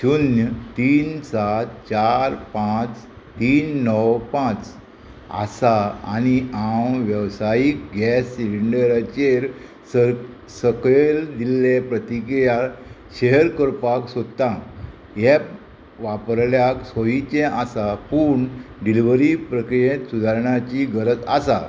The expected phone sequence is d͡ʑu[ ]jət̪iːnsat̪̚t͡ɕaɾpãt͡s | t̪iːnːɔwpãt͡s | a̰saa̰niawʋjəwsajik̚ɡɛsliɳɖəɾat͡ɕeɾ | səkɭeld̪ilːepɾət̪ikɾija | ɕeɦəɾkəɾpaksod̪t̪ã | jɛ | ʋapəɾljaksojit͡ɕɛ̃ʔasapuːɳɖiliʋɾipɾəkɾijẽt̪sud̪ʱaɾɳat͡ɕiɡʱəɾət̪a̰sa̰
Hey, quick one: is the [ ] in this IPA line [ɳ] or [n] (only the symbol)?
n